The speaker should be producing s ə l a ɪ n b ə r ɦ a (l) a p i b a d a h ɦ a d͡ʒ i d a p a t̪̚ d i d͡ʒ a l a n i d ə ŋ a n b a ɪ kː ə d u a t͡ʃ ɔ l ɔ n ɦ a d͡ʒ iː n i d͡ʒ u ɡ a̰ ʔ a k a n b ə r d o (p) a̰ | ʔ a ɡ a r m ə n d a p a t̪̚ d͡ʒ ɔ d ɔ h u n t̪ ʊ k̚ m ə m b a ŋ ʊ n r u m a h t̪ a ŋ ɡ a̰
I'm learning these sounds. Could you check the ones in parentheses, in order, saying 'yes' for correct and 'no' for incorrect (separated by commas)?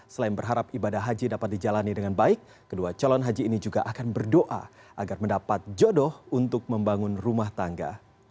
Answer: no, no